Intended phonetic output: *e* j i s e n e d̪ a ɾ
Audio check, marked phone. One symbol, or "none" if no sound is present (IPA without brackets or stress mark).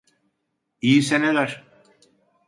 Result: i